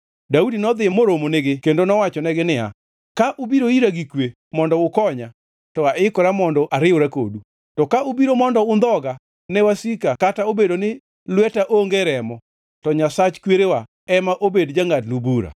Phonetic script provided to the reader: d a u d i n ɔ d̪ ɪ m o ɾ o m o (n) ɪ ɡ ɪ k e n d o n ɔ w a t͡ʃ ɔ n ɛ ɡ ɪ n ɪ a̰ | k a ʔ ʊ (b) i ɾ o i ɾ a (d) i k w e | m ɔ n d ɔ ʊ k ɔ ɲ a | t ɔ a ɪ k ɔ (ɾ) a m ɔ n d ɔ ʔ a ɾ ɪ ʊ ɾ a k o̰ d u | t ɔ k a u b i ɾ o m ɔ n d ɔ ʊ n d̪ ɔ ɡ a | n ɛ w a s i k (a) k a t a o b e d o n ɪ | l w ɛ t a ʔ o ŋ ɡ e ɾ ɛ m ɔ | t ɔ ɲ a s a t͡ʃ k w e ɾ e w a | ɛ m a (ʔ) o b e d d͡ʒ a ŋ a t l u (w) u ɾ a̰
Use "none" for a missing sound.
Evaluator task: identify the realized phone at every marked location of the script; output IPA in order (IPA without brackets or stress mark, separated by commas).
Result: n, b, ɡ, ɾ, a, ʔ, b